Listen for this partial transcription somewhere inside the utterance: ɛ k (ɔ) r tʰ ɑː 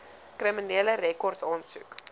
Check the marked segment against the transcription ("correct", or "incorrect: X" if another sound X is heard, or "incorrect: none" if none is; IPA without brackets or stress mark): correct